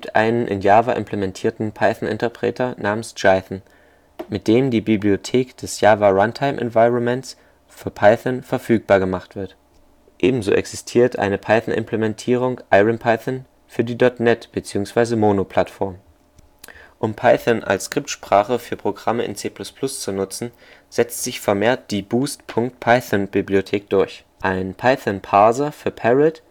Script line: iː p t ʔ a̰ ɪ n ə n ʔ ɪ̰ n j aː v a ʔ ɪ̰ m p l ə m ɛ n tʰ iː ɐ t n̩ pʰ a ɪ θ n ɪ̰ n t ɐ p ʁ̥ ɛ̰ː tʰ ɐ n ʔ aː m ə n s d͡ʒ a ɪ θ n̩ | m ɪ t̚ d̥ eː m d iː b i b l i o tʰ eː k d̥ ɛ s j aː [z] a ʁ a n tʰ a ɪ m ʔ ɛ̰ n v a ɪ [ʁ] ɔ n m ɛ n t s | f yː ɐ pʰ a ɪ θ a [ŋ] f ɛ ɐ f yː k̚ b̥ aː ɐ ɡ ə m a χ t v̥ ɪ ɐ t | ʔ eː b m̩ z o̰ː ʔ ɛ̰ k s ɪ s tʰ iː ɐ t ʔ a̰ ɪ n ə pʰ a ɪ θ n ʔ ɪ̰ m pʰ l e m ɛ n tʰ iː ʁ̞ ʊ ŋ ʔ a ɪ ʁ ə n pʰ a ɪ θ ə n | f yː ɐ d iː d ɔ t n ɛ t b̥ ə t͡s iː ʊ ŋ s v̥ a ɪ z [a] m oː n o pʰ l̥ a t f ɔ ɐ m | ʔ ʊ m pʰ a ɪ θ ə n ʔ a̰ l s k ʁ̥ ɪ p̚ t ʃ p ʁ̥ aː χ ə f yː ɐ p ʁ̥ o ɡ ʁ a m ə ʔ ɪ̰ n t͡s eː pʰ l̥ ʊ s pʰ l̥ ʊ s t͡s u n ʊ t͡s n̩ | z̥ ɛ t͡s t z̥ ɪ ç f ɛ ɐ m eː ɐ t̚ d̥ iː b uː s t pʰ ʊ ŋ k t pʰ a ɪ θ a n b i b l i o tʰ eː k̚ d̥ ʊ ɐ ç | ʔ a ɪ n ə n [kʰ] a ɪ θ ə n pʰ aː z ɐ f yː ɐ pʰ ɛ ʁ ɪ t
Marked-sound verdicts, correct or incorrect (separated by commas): incorrect, correct, incorrect, incorrect, incorrect